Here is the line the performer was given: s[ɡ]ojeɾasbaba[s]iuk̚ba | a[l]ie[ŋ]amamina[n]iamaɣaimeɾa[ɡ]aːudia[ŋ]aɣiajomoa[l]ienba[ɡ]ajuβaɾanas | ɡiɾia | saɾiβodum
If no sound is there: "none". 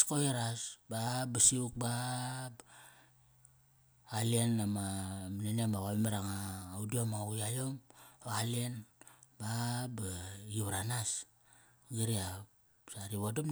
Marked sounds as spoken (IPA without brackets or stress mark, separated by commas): k, s, l, n, n, ŋ, m, l, b